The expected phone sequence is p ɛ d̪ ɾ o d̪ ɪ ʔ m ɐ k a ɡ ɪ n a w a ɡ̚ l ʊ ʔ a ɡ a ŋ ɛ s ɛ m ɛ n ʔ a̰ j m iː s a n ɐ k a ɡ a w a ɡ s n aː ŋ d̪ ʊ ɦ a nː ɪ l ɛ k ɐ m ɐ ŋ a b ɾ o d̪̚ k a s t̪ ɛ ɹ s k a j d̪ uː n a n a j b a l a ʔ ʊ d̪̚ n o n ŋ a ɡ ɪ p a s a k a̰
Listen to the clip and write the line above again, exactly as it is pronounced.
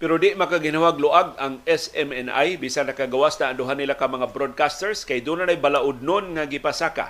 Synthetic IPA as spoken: p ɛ ɾ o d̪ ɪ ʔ m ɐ k a ɡ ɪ n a w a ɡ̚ l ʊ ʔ a ɡ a ŋ ɛ s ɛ m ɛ n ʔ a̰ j b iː s a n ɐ k a ɡ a w a s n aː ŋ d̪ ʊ ɦ a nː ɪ l a k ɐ m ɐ ŋ a b ɾ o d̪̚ k a s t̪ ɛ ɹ s k a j d̪ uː n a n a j b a l a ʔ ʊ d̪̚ n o n ŋ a ɡ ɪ p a s a k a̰